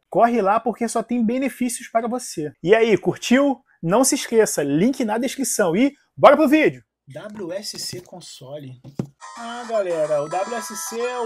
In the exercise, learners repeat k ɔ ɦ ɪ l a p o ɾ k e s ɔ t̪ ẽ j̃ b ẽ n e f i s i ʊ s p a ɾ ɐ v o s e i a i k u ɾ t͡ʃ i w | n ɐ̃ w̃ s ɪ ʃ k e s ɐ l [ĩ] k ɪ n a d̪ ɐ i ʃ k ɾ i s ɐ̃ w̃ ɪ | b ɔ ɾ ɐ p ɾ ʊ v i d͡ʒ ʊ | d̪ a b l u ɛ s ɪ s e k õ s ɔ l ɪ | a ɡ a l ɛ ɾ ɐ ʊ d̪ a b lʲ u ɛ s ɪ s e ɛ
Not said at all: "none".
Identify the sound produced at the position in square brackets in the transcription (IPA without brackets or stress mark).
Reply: ĩ